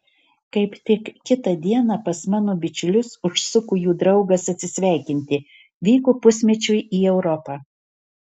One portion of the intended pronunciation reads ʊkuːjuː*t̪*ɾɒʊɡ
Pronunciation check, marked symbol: incorrect: d̪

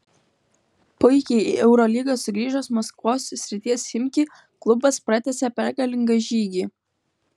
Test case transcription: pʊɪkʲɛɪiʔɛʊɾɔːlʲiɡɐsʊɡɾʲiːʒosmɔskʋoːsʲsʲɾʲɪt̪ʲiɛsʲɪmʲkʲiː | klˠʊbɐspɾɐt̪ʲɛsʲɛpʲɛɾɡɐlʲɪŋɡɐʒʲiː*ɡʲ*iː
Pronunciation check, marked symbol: correct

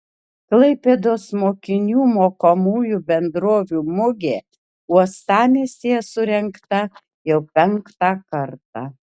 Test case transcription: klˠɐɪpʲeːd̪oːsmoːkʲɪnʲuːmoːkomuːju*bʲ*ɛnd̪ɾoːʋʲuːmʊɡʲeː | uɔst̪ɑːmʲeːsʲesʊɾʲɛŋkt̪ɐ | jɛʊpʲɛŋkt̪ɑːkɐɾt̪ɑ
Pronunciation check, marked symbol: correct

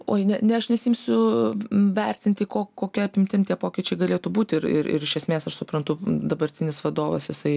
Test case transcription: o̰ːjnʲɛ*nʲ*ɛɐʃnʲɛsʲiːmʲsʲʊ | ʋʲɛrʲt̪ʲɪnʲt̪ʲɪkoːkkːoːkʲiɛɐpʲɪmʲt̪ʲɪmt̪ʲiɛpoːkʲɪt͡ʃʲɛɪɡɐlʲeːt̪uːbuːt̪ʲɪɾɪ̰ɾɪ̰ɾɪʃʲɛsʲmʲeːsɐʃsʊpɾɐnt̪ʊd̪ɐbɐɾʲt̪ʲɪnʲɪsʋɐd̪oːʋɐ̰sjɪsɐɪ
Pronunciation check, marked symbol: correct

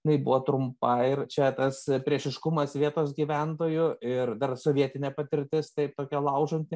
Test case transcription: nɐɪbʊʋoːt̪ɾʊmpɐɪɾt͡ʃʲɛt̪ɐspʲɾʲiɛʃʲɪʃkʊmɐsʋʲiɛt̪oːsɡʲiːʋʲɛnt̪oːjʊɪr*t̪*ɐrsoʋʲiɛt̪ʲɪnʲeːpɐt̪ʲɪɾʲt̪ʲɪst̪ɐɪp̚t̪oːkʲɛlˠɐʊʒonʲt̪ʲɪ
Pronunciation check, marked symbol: incorrect: d̪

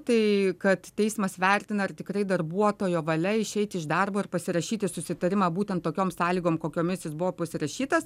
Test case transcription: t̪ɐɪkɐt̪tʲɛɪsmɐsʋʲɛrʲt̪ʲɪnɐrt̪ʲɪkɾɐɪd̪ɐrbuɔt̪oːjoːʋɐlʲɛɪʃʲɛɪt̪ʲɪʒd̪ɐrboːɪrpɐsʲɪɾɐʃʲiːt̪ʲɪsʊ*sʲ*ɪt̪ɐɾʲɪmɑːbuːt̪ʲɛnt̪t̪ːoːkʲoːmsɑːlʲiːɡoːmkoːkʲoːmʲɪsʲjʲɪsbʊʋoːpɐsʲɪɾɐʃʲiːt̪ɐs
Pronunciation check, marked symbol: correct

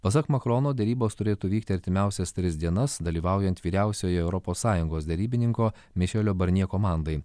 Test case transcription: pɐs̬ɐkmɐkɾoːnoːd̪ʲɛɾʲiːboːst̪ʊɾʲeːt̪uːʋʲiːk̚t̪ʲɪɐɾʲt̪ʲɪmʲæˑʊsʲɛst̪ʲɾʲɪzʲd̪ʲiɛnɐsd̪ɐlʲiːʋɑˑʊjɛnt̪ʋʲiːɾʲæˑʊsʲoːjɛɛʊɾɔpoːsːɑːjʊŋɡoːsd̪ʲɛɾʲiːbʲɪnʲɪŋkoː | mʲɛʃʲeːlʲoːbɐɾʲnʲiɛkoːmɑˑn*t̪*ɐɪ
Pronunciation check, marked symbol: incorrect: d̪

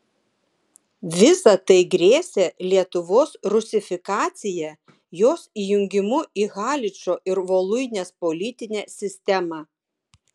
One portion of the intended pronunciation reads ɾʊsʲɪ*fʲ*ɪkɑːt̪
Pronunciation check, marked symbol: correct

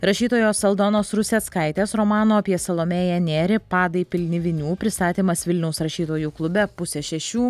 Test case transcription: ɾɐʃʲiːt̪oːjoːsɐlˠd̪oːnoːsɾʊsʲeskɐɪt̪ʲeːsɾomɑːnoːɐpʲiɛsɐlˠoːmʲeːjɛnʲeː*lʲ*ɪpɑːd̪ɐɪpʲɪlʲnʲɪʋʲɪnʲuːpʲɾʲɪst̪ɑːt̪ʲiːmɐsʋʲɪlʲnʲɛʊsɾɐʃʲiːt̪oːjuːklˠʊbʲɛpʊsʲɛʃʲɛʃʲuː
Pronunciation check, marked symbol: incorrect: ɾʲ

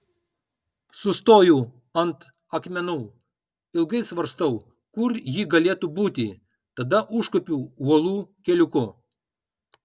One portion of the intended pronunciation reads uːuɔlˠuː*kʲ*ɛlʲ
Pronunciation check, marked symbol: correct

